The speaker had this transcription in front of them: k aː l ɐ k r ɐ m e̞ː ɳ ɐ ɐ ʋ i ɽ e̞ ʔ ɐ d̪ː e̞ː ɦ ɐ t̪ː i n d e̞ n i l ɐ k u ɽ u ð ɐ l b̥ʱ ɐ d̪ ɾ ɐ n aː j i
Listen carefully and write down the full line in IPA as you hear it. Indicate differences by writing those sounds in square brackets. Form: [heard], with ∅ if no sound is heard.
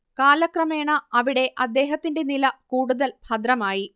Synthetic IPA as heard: k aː l ɐ k r ɐ m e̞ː ɳ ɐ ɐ ʋ i ɽ e̞ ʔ ɐ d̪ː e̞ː ɦ ɐ t̪ː i n d e̞ n i l ɐ k [uː] ɽ u ð ɐ l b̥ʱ ɐ d̪ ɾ ɐ [m] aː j i